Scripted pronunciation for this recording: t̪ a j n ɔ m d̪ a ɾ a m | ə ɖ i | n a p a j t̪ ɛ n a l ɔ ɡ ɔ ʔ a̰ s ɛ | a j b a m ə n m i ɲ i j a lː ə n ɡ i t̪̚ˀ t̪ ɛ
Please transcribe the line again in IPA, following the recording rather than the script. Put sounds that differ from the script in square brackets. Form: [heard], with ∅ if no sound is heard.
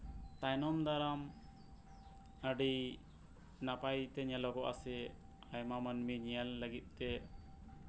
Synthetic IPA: t̪ a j n ɔ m d̪ a ɾ a m | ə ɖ i | n a p a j t̪ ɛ [ɲ] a l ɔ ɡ ɔ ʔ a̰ s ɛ | a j [m] a m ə n m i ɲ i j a lː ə [∅] ɡ i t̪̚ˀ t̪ ɛ